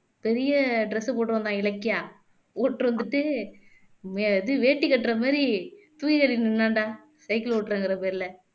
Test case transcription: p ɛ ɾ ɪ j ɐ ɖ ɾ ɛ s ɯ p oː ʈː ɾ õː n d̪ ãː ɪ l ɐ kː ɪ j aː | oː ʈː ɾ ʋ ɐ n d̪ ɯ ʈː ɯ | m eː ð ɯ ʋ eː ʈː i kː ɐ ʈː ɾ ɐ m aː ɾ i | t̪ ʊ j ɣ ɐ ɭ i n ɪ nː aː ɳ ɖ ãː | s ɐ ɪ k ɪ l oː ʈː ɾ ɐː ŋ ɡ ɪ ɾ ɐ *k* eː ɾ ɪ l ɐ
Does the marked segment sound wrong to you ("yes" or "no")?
yes